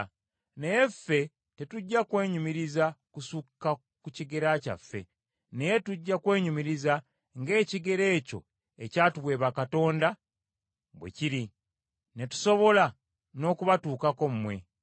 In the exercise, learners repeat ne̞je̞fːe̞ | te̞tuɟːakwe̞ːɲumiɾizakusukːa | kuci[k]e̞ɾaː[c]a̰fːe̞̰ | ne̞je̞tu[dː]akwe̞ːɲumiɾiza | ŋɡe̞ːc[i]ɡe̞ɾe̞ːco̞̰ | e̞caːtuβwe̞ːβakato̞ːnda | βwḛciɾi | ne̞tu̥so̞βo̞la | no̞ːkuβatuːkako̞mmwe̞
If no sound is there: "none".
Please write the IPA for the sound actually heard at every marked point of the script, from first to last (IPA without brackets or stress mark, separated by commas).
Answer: ɡ, c, ɟː, i